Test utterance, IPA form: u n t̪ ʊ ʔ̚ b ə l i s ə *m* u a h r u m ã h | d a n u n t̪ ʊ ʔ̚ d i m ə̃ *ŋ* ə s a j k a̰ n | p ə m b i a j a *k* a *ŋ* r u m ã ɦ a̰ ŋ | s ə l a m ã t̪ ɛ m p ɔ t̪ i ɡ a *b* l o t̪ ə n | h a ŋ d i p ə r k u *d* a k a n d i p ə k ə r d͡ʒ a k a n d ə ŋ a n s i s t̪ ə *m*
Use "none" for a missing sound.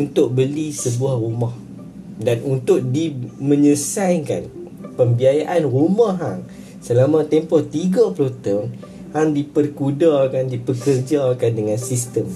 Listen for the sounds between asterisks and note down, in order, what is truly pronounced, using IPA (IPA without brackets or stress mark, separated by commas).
b, ɲ, ʔ, n, p, d, m